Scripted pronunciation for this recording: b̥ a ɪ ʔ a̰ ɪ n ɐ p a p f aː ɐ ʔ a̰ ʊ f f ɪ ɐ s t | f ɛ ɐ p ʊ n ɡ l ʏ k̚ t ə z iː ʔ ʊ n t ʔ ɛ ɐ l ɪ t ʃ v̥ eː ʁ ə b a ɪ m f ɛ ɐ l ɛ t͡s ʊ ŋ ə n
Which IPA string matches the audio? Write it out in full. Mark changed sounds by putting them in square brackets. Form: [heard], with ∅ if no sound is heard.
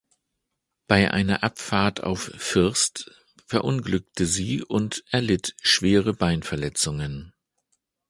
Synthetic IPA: b̥ a ɪ ʔ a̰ ɪ n ɐ [ʔ] a p f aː ɐ [t] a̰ ʊ f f ɪ ɐ s t | f ɛ ɐ [ʔ] ʊ n ɡ l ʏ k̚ t ə z iː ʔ ʊ n t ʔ ɛ ɐ l ɪ t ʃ v̥ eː ʁ ə b a ɪ [n] f ɛ ɐ l ɛ t͡s ʊ ŋ ə n